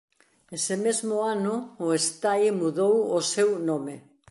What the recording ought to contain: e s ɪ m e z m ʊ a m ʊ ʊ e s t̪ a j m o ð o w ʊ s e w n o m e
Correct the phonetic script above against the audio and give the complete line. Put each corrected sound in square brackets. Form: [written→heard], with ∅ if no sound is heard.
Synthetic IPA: e s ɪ m e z m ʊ a [m→n] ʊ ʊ e s t̪ a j m [o→u] ð o w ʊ s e w n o m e